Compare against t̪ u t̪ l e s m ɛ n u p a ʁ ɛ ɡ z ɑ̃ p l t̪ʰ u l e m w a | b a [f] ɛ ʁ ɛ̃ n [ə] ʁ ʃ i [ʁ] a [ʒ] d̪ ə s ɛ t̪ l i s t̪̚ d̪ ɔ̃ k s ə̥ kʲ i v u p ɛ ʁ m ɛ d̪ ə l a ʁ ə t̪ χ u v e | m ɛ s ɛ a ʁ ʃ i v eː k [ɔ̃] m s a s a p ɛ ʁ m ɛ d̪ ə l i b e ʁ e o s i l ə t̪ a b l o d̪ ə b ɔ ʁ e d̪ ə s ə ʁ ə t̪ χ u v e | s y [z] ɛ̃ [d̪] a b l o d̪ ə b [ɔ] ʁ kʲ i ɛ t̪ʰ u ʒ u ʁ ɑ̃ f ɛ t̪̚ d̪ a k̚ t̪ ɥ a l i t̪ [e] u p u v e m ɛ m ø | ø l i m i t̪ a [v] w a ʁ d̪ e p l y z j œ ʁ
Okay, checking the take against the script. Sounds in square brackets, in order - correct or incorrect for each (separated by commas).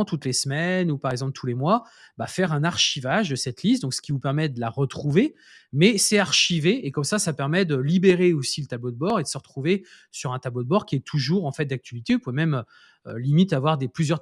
correct, incorrect, incorrect, correct, incorrect, incorrect, incorrect, correct, correct, correct